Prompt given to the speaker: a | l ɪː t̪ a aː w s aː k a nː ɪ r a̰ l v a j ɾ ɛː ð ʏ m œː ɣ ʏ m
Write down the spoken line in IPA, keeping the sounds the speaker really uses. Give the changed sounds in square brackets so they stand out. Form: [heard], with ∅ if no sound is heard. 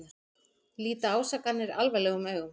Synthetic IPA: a | l [iː] t̪ a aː w s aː k a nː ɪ [ɾ] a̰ l v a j [l] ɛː [ɣ] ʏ m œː ɣ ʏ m